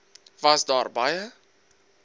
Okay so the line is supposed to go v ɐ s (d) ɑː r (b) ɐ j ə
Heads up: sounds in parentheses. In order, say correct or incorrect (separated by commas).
correct, correct